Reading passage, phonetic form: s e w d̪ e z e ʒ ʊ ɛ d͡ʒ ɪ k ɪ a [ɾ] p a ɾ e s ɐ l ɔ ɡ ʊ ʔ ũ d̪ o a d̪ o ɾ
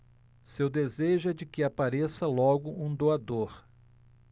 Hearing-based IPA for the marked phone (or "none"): none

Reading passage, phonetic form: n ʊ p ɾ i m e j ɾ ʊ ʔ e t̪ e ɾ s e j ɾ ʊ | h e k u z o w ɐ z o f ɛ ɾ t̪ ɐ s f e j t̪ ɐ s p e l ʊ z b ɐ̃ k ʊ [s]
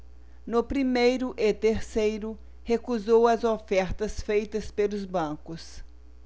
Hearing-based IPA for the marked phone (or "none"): s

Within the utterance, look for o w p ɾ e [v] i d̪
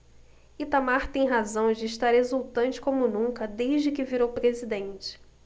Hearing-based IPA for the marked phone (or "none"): z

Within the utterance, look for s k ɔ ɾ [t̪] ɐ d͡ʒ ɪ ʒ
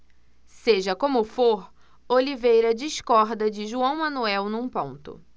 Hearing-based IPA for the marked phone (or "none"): d̪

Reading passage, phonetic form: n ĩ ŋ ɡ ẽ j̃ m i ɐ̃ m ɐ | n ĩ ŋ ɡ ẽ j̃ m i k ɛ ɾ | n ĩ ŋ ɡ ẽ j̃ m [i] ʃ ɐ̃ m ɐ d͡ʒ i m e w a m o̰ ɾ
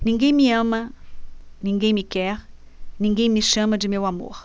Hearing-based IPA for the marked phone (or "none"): i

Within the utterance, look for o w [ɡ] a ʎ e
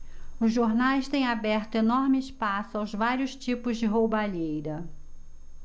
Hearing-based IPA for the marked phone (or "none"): b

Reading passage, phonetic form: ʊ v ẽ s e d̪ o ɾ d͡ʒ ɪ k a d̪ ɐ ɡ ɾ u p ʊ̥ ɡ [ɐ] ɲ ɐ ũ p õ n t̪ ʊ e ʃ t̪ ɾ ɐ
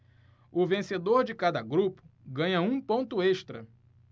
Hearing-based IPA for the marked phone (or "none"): ɐ̃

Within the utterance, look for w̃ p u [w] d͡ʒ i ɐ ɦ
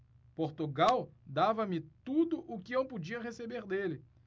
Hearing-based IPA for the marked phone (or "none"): none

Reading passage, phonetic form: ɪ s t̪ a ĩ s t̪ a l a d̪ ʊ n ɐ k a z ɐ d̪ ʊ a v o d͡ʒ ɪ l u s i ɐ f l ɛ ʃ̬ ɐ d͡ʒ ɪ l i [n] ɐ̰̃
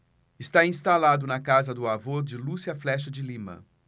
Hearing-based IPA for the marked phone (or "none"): m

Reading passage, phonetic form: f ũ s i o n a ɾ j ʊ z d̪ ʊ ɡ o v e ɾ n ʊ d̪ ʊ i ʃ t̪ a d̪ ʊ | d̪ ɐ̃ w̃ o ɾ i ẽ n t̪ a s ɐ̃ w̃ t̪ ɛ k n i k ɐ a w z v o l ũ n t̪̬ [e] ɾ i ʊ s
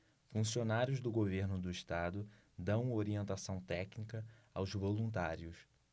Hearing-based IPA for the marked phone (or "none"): a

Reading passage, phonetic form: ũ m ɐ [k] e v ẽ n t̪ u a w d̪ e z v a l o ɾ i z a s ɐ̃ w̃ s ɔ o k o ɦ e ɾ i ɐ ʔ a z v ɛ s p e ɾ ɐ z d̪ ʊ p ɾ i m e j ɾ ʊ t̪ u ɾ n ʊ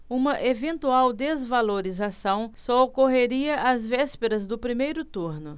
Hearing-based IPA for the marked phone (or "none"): ʔ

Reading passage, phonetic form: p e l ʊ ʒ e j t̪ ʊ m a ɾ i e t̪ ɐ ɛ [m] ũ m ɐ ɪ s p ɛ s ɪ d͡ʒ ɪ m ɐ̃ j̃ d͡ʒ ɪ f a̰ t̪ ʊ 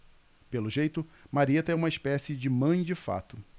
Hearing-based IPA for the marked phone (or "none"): none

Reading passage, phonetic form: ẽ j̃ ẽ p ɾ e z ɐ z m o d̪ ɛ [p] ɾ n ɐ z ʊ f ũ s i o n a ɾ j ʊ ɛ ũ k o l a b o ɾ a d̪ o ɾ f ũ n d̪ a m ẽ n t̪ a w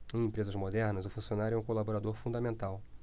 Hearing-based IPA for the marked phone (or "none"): none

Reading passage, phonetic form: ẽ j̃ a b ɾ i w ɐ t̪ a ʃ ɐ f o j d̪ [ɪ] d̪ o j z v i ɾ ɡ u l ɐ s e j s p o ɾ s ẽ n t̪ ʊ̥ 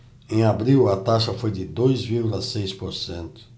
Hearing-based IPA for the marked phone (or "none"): ɪ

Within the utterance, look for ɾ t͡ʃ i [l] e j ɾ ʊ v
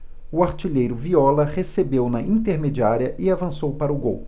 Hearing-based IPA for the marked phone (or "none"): ʎ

